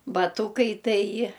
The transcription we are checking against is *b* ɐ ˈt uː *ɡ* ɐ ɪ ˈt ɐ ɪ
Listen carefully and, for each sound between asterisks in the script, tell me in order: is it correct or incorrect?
correct, incorrect

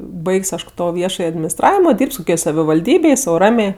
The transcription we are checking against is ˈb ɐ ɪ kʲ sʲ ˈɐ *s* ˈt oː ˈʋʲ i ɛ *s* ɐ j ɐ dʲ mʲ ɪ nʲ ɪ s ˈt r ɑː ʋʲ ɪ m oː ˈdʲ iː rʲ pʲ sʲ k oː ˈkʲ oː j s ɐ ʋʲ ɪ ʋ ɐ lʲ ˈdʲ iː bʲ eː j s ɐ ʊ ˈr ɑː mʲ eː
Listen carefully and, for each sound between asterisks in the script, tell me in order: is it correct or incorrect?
incorrect, incorrect

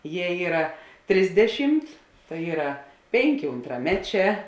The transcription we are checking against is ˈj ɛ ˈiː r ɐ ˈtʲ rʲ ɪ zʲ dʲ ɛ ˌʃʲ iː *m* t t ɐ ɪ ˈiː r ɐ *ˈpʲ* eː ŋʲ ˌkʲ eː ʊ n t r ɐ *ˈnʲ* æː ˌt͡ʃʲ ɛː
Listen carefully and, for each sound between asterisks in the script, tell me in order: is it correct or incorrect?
correct, correct, incorrect

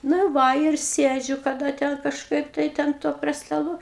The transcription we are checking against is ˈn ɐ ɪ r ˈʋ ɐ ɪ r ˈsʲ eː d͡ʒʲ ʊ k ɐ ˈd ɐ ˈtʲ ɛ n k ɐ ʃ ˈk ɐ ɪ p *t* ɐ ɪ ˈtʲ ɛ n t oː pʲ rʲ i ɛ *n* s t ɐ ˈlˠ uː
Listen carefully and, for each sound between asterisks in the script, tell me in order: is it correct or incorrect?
correct, incorrect

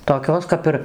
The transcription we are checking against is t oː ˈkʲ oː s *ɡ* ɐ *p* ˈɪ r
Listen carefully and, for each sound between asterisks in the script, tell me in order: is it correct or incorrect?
incorrect, correct

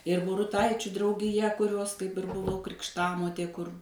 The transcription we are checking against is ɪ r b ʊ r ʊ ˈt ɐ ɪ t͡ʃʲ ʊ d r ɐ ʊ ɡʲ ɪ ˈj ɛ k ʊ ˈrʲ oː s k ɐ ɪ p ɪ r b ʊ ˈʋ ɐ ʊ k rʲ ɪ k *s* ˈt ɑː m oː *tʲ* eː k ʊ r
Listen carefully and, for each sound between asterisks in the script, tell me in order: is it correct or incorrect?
incorrect, correct

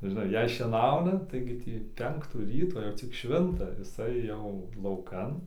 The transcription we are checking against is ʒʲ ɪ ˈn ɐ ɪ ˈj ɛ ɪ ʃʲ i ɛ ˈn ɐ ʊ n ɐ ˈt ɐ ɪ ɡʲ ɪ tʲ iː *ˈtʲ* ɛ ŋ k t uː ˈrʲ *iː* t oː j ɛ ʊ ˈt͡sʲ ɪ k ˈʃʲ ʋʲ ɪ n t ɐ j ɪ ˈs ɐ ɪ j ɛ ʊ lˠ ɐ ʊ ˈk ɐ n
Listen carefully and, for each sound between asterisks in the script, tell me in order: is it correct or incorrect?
incorrect, correct

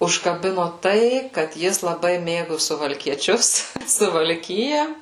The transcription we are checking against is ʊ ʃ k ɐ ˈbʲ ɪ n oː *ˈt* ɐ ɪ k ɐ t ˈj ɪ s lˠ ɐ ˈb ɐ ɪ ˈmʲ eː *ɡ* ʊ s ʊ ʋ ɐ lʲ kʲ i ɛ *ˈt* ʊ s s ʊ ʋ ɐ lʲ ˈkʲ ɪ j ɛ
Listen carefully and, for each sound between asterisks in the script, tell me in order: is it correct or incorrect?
correct, correct, incorrect

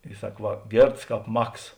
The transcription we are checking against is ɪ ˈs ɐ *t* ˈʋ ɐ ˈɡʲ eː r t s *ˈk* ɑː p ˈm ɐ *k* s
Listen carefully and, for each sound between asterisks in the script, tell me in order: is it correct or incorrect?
incorrect, correct, correct

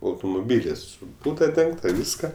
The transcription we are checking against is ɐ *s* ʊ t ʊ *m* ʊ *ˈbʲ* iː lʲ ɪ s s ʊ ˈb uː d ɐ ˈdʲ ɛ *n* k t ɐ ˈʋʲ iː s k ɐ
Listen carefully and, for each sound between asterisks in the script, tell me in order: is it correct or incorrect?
incorrect, correct, correct, incorrect

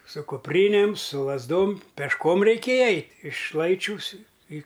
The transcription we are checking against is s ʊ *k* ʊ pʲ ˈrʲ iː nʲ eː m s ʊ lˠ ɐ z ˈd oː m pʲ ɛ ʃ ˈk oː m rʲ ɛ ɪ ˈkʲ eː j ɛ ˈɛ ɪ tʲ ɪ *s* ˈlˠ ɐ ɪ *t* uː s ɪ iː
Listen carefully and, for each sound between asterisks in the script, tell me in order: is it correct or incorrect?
correct, incorrect, incorrect

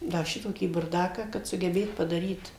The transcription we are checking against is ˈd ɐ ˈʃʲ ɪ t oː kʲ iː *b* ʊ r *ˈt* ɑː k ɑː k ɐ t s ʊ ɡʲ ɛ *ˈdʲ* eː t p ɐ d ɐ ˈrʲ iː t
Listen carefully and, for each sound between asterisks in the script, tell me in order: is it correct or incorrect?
correct, incorrect, incorrect

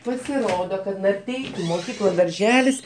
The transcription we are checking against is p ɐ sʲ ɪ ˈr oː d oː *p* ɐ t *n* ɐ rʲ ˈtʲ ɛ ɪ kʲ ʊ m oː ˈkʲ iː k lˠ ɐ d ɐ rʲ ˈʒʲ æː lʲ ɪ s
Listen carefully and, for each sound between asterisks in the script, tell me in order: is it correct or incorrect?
incorrect, correct

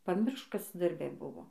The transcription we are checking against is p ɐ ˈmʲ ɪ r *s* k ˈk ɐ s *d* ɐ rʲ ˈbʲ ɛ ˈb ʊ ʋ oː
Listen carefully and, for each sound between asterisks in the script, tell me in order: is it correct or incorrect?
incorrect, correct

